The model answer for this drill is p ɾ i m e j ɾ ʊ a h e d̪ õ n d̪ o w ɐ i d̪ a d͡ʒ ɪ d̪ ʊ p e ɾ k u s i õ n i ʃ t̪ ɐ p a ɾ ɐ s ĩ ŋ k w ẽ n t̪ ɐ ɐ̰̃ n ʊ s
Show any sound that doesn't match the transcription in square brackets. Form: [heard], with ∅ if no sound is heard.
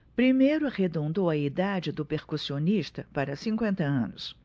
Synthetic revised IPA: p ɾ i m e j ɾ ʊ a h e d̪ õ n d̪ o w ɐ i d̪ a d͡ʒ ɪ d̪ ʊ p e ɾ k u s i [o] n i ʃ t̪ ɐ p a ɾ ɐ s ĩ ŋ k w ẽ n t̪ ɐ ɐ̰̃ n ʊ s

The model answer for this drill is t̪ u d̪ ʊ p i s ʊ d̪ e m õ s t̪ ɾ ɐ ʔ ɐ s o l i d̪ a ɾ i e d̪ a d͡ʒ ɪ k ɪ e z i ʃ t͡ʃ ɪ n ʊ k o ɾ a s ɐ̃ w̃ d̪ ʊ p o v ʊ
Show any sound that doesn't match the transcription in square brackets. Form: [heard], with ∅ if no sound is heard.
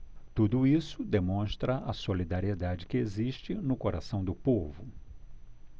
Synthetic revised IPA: t̪ u d̪ ʊ [∅] i s ʊ d̪ e m õ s t̪ ɾ ɐ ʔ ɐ s o l i d̪ a ɾ i e d̪ a d͡ʒ ɪ k ɪ e z i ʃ t͡ʃ ɪ n ʊ k o ɾ a s ɐ̃ w̃ d̪ ʊ p o v ʊ

